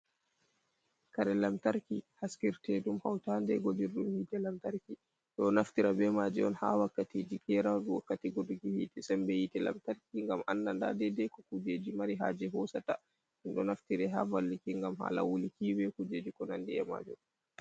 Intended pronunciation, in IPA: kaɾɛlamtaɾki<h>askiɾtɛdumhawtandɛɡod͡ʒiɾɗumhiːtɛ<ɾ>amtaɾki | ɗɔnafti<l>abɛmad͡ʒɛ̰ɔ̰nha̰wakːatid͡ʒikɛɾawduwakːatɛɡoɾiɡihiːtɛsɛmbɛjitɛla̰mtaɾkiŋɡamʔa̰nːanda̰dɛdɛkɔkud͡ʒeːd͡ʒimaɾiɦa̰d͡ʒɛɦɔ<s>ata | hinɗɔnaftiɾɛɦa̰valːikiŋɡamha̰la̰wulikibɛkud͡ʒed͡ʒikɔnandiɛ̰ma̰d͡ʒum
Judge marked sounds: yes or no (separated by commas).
yes, no, no, yes